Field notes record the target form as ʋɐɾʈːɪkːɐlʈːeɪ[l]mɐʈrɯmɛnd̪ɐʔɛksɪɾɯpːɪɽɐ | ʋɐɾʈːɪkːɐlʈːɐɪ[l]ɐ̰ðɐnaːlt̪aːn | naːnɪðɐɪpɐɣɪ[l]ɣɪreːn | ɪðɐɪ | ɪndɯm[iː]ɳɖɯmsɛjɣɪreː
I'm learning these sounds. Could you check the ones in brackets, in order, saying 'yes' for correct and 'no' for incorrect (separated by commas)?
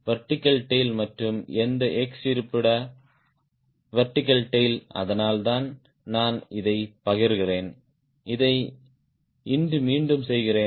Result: yes, yes, no, yes